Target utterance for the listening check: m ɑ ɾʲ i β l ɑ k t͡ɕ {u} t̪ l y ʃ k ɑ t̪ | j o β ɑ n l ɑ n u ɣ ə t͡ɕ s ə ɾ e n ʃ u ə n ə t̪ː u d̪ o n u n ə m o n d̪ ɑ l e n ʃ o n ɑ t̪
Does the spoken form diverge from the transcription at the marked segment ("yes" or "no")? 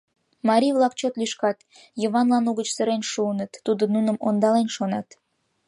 yes